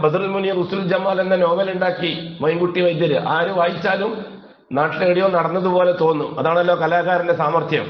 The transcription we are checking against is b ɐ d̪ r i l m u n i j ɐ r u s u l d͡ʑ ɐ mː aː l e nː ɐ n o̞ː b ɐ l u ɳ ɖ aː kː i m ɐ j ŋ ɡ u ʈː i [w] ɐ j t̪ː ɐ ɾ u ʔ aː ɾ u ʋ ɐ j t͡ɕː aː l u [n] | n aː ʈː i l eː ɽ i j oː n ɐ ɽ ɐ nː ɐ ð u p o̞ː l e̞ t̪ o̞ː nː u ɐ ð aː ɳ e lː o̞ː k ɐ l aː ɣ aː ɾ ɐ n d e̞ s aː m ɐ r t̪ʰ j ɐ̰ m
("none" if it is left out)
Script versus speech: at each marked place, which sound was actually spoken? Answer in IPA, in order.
ʋ, m

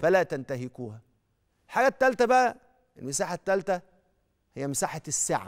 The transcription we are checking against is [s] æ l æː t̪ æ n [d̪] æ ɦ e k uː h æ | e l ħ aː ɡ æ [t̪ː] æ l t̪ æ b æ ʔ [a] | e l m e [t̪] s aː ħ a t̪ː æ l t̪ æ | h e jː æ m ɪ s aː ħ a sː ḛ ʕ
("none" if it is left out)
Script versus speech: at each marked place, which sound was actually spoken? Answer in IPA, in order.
f, t̪, t̪ː, æ, none

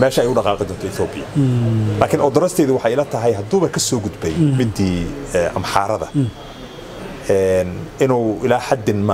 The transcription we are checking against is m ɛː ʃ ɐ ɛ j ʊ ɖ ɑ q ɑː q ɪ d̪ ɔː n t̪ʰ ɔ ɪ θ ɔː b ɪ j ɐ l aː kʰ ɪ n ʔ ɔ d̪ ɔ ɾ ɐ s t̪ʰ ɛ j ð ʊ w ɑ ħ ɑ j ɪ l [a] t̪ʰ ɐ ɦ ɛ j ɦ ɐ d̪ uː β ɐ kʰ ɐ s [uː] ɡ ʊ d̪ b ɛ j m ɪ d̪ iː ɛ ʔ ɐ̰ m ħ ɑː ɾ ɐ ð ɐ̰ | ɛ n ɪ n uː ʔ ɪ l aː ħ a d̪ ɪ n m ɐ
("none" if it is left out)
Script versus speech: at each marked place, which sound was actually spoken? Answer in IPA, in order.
ɐ, ɔː

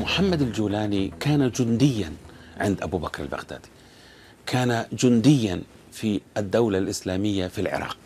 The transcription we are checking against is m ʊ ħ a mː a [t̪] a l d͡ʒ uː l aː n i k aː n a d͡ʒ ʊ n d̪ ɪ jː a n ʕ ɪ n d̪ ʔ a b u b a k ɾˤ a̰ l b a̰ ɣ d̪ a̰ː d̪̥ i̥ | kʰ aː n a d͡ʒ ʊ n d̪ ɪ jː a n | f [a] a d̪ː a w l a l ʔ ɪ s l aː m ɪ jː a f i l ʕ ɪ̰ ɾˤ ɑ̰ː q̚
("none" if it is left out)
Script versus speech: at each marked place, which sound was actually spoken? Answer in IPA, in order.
d̪, i

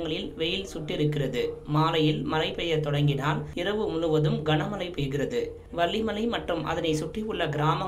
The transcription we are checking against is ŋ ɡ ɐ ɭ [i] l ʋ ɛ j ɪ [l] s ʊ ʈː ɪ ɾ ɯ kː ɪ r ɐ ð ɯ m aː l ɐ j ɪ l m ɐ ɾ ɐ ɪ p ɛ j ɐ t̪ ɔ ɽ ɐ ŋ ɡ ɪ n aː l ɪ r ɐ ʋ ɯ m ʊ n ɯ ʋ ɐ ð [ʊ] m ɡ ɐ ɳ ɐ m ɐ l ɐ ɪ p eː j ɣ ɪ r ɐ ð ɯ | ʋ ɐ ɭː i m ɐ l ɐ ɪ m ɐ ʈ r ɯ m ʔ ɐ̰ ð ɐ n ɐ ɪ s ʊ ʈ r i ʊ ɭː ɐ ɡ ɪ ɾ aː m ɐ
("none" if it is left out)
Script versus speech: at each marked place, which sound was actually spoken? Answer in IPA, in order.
ɪ, l, ɯ

